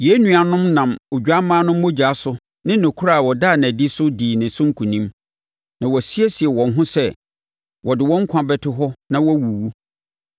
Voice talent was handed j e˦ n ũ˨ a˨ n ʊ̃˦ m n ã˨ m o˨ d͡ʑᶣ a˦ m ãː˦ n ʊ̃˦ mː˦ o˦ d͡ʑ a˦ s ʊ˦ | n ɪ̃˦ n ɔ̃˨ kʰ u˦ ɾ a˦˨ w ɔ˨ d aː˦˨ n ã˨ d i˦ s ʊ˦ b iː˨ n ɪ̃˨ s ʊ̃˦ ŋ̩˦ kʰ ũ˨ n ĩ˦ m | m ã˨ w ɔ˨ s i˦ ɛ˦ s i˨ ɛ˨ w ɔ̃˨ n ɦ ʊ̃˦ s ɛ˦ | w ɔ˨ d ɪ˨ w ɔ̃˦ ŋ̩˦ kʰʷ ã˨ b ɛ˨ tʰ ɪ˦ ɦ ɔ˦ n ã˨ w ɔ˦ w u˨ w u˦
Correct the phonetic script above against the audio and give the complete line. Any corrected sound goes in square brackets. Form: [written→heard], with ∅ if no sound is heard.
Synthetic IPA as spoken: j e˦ n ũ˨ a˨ n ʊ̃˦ m n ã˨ m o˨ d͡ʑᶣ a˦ m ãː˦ n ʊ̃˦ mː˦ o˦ d͡ʑ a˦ s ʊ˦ | n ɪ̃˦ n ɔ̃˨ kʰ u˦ ɾ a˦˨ w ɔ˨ d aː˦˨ n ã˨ d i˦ s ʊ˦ [b→d] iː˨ n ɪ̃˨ s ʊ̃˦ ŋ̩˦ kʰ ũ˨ n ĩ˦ m | [m→n] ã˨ w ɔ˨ s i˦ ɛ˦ s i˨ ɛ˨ w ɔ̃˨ n ɦ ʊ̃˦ s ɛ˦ | w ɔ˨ d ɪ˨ w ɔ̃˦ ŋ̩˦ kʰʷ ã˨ b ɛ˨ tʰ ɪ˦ ɦ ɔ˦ n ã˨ w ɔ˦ w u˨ w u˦